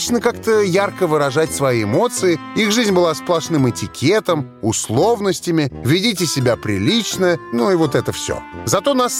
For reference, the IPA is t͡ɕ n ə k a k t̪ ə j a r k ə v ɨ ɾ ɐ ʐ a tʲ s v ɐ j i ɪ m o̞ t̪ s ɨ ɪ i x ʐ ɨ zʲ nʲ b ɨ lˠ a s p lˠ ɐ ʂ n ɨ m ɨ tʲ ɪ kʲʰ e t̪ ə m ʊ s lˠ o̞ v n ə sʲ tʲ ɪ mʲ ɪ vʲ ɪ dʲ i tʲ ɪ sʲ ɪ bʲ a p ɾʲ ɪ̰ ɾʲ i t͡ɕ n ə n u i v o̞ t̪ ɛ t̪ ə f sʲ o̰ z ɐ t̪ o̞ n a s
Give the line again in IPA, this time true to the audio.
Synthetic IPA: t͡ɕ n ə k a k t̪ ə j a r k ə v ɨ ɾ ɐ ʐ a tʲ s v ɐ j i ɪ m o̞ t̪ s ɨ ɪ i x ʐ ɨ zʲ nʲ b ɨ lˠ a s p lˠ ɐ ʂ n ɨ m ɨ tʲ ɪ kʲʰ e t̪ ə m ʊ s lˠ o̞ v n ə sʲ tʲ ɪ mʲ ɪ vʲ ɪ dʲ i tʲ ɪ sʲ ɪ bʲ a p ɾʲ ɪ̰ lʲ i t͡ɕ n ə n u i v o̞ t̪ ɛ t̪ ə f sʲ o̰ z ɐ t̪ o̞ n a s